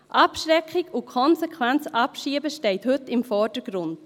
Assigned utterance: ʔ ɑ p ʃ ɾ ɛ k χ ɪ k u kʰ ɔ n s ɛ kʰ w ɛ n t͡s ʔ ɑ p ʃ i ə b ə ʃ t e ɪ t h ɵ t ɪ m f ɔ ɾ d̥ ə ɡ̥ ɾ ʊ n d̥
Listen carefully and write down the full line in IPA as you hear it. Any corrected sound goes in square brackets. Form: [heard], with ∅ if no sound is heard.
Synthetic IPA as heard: ʔ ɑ p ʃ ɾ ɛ k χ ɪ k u kʰ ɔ n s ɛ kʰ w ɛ n t͡s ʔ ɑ p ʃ i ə b ə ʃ t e ɪ t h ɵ t ɪ m f ɔ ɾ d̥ ə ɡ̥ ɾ ʊ n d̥